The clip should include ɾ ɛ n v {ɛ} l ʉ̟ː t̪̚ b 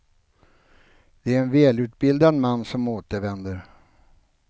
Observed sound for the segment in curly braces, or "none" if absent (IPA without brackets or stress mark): ɛː